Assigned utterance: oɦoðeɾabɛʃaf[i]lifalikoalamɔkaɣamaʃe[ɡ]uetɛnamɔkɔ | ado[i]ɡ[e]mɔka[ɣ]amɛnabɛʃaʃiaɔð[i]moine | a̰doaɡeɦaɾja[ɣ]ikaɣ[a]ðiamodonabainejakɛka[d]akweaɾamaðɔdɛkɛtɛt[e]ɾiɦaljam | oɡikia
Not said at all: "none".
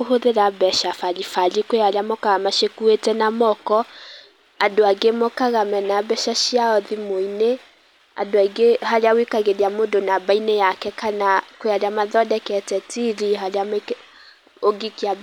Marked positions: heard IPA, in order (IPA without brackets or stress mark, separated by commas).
a, k, a, e, ɣ, i, w, e, n, i